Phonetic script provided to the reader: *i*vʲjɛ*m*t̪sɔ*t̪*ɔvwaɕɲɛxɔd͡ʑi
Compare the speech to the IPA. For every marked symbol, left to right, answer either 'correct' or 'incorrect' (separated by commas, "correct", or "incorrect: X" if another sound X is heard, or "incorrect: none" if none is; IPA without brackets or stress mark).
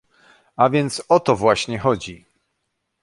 incorrect: a, incorrect: n, correct